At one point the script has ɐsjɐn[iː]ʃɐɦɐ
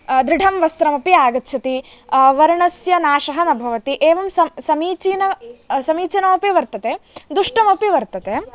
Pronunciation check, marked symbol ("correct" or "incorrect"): incorrect